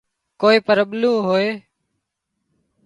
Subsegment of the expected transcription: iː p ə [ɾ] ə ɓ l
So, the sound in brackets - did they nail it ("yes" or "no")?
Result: yes